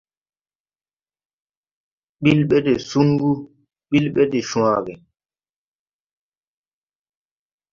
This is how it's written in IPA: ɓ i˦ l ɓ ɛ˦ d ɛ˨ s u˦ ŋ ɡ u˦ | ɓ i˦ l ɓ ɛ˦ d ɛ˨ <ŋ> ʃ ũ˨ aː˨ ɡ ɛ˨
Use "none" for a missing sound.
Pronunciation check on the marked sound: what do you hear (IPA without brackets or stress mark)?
none